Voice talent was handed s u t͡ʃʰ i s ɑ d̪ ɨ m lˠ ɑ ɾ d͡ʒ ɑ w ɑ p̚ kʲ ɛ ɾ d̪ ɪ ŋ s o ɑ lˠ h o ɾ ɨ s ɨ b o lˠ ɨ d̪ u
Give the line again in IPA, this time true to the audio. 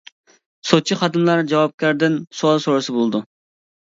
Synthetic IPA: s o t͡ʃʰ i χ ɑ d̪ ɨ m lˠ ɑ ɾ d͡ʒ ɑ w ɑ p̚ kʲ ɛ ɾ d̪ ɪ n s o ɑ lˠ s o ɾ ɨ s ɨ b o lˠ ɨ d̪ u